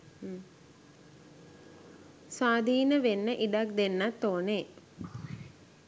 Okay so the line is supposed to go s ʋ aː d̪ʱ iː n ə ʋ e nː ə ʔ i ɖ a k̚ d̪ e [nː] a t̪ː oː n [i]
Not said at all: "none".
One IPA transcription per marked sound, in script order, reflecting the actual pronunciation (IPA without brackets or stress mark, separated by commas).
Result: nː, e